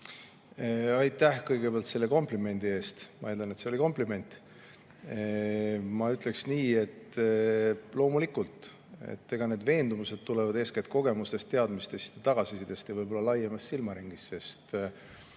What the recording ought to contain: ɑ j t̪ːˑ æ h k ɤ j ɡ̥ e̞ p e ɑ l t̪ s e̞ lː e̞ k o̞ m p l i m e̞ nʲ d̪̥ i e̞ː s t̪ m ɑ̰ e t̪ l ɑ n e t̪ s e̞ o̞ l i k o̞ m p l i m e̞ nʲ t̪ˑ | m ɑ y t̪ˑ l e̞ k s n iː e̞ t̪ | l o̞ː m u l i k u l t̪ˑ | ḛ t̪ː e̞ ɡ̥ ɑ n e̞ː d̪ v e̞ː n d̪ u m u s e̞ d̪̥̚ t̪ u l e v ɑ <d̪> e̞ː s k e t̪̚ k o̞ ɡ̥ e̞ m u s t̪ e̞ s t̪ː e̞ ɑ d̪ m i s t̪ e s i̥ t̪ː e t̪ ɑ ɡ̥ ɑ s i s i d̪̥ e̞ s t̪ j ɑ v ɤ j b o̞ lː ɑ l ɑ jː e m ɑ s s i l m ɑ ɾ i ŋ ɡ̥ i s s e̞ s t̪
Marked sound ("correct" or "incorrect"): correct